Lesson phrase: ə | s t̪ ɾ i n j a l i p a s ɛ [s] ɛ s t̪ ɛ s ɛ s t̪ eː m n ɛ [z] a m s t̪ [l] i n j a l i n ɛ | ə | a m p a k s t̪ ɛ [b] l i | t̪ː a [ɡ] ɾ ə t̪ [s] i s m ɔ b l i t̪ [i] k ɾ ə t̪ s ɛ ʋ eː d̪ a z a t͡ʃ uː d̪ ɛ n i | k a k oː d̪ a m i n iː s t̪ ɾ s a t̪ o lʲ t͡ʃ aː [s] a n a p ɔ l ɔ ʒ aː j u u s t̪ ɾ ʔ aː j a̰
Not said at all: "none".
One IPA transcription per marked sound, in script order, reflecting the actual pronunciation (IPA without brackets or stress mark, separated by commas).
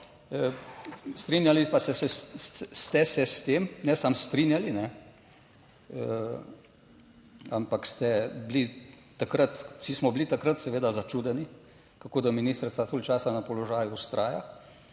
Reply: s, s, ɾ, b, k, s, a, s